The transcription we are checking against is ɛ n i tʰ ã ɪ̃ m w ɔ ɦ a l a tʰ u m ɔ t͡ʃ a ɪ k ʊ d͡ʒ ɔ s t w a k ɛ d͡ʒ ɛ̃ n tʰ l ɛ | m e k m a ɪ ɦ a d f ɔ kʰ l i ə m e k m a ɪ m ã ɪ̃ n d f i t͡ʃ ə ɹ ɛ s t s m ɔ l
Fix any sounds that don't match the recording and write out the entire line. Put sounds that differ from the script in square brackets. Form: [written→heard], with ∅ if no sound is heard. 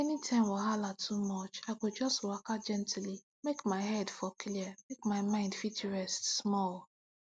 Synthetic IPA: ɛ n i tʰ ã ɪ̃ m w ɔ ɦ a l a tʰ u m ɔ t͡ʃ a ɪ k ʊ d͡ʒ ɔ s t w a k [ɛ→a] d͡ʒ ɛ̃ n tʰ l [ɛ→i] | m e k m a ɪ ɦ [a→ɛ] d f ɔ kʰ l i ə m e k m a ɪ m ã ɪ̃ n d f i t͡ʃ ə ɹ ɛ s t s m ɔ l